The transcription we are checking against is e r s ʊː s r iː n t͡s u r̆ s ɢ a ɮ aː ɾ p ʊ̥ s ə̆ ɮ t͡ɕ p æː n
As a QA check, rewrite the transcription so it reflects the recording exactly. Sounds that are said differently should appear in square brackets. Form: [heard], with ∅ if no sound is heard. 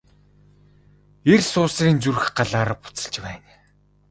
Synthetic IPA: e r s ʊː s r iː n t͡s u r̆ [x] ɢ a ɮ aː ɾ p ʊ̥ [t͡s] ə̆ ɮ t͡ɕ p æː n

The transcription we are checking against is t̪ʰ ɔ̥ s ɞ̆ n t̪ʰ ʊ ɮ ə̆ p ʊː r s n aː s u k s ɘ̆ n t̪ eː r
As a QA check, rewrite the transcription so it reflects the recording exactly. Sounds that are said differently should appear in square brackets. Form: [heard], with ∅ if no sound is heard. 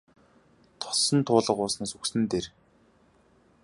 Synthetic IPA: t̪ʰ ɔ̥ s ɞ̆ n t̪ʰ [ʊː] ɮ ə̆ [q] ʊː [∅] s n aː s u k s ɘ̆ n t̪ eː r

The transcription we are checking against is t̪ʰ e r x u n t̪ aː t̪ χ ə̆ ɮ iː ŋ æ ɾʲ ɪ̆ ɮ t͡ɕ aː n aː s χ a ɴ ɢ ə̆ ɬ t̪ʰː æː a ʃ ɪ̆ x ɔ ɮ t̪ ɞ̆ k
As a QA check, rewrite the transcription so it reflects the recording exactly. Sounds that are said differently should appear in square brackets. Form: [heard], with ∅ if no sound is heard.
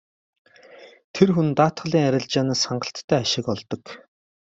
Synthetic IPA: t̪ʰ e r x u n t̪ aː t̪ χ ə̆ ɮ iː ŋ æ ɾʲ ɪ̆ ɮ t͡ɕ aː n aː s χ a ɴ ɢ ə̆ ɬ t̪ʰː æː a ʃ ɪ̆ [k] ɔ ɮ t̪ ɞ̆ k

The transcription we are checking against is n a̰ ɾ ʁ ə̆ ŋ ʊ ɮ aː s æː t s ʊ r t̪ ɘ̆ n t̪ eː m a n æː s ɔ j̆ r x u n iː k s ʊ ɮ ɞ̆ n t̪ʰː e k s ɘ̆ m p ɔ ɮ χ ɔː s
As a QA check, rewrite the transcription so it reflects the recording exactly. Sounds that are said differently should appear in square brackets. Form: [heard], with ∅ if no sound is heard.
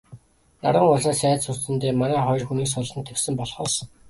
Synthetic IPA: n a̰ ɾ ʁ ə̆ ŋ ʊ ɮ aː s æː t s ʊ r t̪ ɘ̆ n t̪ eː m a n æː [χ] ɔ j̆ r x u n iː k s ʊ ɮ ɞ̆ n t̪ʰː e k s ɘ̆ m p ɔ ɮ χ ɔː s

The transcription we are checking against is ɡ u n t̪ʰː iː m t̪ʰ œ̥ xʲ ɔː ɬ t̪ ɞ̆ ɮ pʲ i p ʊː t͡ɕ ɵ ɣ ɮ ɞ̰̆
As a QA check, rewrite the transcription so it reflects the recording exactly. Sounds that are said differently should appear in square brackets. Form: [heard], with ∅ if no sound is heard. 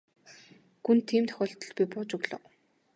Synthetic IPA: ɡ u n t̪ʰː iː m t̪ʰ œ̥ xʲ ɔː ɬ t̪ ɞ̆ ɮ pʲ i p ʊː t͡ɕ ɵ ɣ ɮ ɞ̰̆

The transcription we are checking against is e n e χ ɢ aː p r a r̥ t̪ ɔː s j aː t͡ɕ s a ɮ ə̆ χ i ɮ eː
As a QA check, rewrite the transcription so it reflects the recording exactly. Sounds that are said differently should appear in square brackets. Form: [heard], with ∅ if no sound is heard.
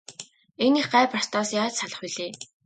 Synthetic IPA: e n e χ ɢ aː p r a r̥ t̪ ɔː s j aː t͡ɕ s a ɮ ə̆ χ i ɮ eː

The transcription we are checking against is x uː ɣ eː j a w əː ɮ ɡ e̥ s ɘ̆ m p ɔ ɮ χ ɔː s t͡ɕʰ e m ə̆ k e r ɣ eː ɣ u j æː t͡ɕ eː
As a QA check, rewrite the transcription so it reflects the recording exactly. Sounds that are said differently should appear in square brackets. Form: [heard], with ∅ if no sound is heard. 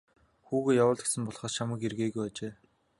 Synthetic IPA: x uː ɣ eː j a w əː ɮ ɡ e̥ s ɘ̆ m p ɔ ɮ χ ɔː s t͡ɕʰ [a] m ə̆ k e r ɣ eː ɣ u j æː t͡ɕ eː

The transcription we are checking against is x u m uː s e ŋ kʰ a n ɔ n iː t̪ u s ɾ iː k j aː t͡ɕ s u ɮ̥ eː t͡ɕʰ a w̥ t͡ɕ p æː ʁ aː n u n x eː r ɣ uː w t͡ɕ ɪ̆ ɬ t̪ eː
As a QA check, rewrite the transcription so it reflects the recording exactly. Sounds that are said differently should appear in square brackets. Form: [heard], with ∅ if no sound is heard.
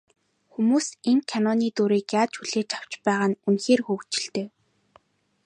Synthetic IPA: x u m uː s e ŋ kʰ a n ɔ n iː t̪ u [∅] ɾ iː k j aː t͡ɕ [x] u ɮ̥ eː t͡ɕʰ a w̥ t͡ɕ p æː ʁ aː n u n x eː r [x] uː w t͡ɕ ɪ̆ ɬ t̪ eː

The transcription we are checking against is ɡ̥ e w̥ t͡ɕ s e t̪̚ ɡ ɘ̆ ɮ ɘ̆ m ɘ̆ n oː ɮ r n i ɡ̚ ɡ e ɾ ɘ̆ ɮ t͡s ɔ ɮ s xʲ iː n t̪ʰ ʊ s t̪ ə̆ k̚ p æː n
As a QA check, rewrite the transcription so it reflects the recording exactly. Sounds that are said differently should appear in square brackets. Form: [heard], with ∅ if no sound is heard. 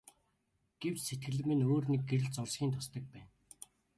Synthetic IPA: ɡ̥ e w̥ t͡ɕ s e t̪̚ ɡ ɘ̆ ɮ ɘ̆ m ɘ̆ n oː [∅] r n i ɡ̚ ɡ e ɾ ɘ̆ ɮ t͡s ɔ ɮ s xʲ iː n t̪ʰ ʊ s t̪ ə̆ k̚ p æː n

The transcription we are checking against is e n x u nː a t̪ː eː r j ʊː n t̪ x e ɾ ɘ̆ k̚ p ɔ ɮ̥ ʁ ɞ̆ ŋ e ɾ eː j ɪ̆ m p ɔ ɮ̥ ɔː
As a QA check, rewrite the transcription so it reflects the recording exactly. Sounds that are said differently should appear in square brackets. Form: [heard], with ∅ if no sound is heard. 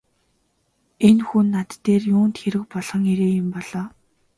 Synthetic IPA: e n x u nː a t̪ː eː r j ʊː n t̪ x e ɾ ɘ̆ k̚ p ɔ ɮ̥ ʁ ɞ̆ ŋ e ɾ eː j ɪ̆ m p ɔ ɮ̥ ɔː

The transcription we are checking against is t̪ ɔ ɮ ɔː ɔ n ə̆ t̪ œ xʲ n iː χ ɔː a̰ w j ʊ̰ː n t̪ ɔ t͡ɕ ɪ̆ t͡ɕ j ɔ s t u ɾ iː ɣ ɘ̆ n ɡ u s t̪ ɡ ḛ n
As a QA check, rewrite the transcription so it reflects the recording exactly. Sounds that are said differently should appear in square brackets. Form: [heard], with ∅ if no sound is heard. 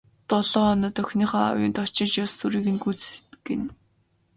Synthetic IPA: t̪ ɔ ɮ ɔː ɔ n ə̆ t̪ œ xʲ n iː χ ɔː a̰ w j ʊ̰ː n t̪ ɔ t͡ɕ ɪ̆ t͡ɕ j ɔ s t u ɾ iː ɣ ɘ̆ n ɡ u [t͡s] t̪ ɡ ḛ n

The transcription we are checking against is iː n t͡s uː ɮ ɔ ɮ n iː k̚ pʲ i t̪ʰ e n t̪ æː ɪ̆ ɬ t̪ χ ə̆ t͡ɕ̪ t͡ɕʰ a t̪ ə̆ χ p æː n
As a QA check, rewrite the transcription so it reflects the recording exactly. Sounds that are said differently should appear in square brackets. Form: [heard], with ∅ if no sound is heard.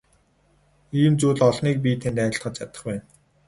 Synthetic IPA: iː [m] t͡s uː ɮ ɔ ɮ n iː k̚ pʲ i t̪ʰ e n t̪ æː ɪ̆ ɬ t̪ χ ə̆ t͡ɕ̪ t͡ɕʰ a t̪ ə̆ χ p æː n

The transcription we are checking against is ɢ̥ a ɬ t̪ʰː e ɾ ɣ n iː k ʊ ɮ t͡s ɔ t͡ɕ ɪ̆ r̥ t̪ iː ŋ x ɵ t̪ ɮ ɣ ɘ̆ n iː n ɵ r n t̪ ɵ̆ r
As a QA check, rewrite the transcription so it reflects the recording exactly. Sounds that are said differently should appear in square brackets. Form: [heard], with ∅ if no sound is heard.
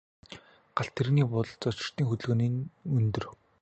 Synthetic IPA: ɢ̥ a ɬ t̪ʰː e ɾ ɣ n iː [p] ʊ ɮ t͡s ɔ t͡ɕ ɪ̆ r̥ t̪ iː ŋ x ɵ t̪ ɮ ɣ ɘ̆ n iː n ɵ [∅] n t̪ ɵ̆ r

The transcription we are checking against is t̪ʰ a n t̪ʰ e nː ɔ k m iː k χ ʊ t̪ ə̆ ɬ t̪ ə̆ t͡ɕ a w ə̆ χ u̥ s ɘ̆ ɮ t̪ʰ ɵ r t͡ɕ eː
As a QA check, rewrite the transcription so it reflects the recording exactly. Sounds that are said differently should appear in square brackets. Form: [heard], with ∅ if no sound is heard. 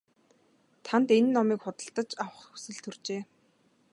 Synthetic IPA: t̪ʰ a n [t̪] e nː ɔ [∅] m iː k χ ʊ t̪ ə̆ ɬ t̪ ə̆ t͡ɕ a w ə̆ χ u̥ s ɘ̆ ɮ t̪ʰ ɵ r t͡ɕ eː

